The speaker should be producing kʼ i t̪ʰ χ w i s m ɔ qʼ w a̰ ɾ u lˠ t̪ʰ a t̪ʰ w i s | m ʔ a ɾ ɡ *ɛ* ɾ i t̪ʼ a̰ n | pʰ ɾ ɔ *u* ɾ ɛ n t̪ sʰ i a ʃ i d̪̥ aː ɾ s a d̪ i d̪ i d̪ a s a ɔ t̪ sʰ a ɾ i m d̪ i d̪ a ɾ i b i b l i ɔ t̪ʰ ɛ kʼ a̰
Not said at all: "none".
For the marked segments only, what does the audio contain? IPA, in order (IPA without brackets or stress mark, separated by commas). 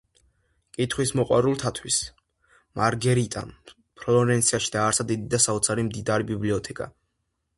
ɛ, ɔ